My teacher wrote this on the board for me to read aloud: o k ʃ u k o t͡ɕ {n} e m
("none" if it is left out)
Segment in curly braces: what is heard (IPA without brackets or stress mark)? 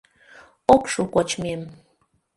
m